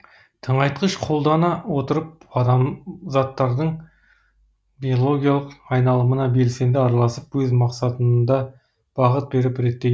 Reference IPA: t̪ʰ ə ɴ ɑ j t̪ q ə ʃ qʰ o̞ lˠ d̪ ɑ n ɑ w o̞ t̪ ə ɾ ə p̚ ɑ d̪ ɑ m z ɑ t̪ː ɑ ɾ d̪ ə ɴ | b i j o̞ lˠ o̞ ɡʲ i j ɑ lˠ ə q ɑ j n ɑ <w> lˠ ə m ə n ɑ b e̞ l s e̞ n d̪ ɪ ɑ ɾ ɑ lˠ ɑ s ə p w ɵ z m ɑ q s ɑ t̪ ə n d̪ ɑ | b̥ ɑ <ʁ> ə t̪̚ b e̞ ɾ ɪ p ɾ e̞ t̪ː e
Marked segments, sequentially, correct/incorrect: incorrect: none, correct

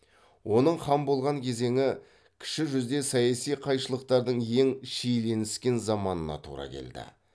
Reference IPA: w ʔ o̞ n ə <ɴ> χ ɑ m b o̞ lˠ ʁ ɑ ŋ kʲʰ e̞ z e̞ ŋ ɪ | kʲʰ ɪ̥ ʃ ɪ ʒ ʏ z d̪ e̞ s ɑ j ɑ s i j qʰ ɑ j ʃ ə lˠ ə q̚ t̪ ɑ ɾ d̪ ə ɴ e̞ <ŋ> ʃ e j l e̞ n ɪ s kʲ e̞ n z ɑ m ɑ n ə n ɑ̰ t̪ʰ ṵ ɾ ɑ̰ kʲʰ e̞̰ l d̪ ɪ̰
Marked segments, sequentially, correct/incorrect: correct, correct

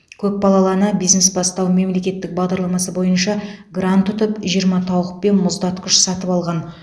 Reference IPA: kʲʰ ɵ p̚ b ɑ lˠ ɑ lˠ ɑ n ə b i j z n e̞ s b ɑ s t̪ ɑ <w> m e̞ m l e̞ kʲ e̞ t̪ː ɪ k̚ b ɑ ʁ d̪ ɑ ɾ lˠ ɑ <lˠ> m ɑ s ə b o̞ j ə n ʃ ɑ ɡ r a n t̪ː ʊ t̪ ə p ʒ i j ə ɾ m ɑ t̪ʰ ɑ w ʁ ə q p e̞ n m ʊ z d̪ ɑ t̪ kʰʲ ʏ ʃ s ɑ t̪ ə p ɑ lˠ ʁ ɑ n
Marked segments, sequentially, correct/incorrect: correct, incorrect: none

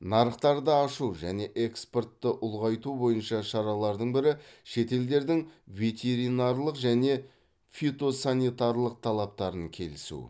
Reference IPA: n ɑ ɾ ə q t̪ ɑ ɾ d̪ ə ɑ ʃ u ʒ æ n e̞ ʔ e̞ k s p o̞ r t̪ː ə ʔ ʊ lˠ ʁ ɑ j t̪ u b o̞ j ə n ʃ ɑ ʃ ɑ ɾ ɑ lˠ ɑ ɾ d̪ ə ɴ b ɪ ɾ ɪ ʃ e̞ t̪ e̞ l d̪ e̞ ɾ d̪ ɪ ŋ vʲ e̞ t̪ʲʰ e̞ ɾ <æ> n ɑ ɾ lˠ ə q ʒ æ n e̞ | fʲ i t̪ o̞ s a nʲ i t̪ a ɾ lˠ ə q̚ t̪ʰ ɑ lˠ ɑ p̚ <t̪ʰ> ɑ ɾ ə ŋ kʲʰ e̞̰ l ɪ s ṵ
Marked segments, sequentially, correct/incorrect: incorrect: i, incorrect: t̪

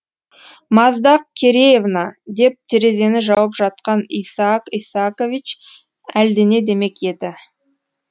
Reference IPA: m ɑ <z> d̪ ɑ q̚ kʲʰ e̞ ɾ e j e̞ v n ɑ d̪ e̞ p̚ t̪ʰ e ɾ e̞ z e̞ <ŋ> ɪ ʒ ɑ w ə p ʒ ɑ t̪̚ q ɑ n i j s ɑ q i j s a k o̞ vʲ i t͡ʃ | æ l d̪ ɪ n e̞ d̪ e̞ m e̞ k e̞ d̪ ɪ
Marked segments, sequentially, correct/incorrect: correct, incorrect: n

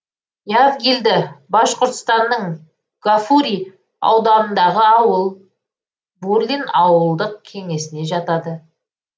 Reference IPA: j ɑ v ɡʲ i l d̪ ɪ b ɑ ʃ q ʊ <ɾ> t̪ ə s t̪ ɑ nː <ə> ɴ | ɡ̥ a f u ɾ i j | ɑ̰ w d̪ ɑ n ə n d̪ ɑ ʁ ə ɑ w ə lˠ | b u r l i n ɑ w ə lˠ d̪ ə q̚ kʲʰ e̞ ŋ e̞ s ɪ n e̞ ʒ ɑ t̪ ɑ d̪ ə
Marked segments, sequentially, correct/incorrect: correct, correct

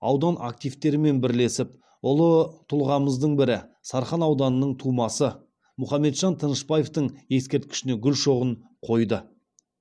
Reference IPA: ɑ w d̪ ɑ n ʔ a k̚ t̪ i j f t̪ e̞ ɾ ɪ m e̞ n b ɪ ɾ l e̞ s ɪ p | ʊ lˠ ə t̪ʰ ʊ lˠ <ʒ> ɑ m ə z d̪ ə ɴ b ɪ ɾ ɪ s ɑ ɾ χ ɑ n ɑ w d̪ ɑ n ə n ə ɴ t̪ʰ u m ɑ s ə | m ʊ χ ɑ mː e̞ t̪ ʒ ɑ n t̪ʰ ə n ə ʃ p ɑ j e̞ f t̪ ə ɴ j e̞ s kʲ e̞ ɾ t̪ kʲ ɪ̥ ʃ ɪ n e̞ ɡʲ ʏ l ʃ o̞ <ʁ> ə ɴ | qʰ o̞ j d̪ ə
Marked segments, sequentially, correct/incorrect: incorrect: ʁ, correct

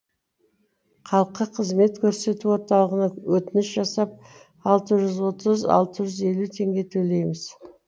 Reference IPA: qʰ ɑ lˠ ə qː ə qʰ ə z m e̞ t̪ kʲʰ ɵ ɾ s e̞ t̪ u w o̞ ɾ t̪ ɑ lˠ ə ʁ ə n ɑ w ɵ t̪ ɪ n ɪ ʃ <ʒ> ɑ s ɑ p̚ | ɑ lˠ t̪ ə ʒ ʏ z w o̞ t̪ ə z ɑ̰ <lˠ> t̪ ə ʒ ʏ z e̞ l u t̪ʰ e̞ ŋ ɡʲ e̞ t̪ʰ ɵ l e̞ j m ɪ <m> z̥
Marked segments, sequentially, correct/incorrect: correct, correct, incorrect: none

